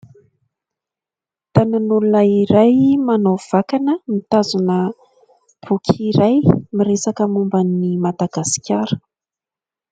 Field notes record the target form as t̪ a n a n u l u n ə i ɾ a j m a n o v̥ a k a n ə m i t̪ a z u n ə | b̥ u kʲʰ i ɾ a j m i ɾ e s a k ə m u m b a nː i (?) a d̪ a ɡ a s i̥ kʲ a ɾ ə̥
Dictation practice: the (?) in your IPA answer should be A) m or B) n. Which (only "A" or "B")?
A